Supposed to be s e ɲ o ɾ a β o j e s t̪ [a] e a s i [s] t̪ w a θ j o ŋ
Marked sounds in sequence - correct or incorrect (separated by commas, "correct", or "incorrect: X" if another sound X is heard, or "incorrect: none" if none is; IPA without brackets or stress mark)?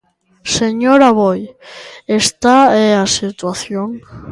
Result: correct, incorrect: none